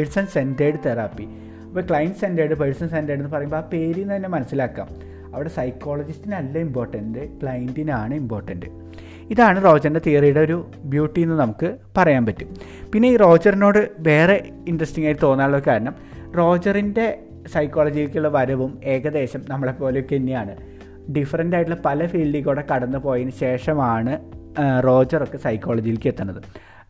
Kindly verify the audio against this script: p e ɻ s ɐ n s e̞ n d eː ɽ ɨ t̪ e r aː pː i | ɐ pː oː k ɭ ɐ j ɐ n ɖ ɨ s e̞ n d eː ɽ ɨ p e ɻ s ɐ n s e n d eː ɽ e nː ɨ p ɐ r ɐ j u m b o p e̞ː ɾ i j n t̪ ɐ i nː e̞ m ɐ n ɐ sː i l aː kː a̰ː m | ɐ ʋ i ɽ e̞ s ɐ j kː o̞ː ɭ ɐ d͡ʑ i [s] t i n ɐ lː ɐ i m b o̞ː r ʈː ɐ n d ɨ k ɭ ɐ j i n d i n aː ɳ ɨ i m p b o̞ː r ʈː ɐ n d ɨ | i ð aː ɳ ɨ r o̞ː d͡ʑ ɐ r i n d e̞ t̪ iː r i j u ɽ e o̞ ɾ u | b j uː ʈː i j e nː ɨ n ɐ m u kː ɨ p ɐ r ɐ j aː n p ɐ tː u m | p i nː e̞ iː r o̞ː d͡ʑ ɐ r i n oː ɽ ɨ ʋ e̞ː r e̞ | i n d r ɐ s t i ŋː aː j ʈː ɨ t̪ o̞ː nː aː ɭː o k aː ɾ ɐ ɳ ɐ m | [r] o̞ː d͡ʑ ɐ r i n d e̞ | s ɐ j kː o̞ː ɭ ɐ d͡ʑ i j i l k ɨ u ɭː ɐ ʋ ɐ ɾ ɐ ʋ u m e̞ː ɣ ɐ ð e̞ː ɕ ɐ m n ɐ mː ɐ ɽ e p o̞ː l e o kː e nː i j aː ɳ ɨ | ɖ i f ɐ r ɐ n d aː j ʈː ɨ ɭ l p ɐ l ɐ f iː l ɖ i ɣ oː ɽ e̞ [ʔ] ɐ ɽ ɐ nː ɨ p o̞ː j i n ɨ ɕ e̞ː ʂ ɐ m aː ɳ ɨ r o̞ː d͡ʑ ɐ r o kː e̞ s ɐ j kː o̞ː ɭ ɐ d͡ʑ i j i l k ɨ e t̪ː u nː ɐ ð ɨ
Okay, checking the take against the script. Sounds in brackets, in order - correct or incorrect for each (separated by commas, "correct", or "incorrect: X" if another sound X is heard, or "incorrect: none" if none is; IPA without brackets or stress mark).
correct, correct, incorrect: k